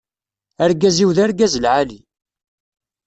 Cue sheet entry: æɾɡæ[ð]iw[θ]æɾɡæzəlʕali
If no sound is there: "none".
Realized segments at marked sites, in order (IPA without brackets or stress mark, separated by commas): z, ð